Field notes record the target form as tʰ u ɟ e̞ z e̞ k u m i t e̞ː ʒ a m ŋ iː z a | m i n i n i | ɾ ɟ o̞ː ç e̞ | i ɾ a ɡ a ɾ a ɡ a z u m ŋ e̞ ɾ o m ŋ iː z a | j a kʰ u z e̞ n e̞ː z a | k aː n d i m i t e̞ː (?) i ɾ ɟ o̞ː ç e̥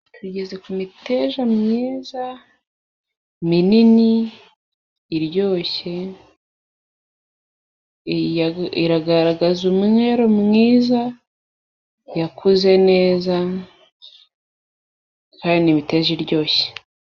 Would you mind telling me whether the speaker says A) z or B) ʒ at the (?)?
B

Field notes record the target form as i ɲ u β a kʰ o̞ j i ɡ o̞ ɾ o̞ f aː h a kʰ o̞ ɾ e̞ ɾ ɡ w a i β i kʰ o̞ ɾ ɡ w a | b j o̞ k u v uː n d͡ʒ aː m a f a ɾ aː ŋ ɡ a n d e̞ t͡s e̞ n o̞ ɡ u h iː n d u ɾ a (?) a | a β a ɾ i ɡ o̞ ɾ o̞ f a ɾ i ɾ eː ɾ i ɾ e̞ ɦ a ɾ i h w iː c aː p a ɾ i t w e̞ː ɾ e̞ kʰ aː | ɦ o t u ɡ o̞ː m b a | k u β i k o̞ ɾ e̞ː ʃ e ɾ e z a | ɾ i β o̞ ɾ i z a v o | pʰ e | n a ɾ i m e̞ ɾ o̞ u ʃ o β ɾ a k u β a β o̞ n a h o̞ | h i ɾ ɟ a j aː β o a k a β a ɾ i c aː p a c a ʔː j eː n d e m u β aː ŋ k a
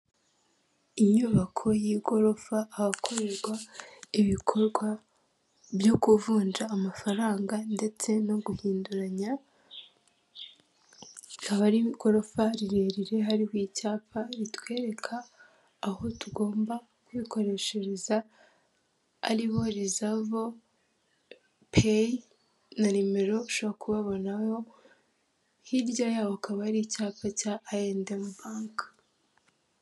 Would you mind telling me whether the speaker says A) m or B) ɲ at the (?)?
B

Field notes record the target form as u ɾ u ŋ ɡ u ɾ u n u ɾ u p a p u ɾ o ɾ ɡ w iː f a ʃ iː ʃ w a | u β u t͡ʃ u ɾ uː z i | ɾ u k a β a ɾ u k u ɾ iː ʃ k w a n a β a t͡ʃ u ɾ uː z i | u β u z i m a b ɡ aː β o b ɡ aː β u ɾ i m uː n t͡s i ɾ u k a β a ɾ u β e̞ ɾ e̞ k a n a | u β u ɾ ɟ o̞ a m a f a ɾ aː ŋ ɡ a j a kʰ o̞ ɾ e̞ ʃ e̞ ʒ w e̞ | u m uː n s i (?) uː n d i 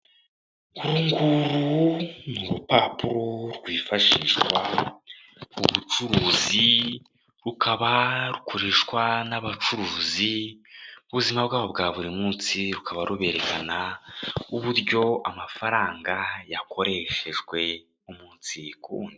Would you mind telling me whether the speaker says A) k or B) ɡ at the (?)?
A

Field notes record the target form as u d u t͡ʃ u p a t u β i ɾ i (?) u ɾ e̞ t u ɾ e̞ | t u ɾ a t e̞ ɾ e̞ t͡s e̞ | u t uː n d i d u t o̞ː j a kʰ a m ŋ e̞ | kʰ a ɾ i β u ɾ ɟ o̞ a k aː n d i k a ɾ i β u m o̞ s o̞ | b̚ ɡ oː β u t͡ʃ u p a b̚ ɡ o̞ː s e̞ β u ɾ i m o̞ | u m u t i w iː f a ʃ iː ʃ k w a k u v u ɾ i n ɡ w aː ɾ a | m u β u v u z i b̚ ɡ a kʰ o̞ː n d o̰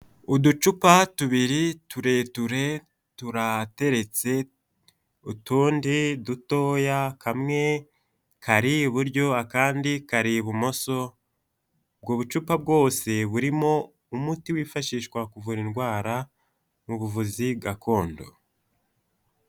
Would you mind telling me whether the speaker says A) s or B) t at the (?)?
B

